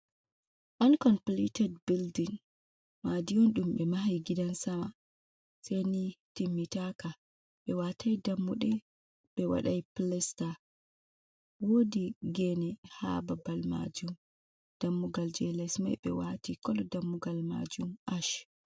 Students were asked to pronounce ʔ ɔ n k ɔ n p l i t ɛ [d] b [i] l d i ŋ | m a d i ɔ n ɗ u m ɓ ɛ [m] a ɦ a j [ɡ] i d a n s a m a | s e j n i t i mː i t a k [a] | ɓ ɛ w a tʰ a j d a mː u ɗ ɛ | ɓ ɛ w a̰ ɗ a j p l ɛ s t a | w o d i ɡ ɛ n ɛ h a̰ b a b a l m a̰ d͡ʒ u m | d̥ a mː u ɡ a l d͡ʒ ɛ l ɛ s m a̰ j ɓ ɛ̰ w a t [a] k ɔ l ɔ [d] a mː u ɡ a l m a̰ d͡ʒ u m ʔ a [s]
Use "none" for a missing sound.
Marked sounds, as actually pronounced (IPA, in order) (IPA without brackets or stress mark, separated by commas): d, i, m, ɡ, a, i, d, ʃ